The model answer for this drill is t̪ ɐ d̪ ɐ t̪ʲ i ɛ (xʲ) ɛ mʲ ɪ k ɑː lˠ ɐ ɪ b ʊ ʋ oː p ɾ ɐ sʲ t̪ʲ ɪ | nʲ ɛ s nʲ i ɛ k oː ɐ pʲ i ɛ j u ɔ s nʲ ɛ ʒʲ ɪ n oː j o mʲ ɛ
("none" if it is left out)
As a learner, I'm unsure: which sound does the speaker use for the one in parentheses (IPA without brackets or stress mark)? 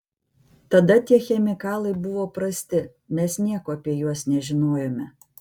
xʲ